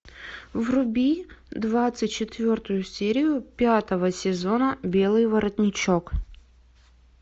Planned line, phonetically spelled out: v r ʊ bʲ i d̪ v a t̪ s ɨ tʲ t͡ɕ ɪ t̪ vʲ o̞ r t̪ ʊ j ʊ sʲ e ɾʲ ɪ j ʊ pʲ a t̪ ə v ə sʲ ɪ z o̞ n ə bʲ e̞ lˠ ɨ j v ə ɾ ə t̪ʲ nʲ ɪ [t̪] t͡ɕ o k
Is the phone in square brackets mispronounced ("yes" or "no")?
yes